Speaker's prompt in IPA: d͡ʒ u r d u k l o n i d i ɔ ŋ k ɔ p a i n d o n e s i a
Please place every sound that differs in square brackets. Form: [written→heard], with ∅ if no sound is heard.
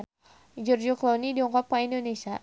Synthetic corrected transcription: d͡ʒ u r [d→d͡ʒ] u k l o n i d i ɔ ŋ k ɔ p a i n d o n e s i a